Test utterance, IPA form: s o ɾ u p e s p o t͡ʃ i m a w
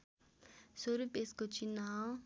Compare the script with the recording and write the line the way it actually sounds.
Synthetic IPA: s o ɾ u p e s k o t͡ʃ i n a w